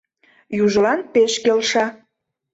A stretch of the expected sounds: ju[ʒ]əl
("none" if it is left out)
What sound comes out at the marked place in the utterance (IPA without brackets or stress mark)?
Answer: ʒ